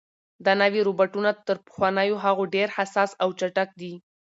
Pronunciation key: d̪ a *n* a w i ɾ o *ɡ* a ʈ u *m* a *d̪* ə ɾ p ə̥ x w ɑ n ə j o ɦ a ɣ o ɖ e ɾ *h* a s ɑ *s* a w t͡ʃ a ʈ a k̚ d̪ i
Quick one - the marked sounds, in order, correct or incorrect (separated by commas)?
correct, incorrect, incorrect, incorrect, correct, correct